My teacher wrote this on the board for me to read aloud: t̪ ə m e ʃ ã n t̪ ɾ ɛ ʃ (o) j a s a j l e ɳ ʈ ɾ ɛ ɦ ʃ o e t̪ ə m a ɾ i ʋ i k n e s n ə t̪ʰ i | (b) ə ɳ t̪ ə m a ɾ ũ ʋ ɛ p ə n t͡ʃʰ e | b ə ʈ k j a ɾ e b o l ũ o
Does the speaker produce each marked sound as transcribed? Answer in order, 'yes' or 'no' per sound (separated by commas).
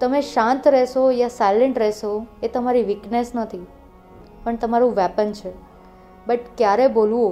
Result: yes, no